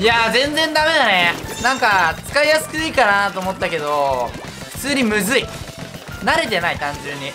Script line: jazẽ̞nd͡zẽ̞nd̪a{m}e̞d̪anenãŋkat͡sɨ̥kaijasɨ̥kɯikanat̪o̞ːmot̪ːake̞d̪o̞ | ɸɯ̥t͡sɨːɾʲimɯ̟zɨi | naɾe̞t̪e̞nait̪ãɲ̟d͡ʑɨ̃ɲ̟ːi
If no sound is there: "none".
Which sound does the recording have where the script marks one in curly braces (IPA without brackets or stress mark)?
m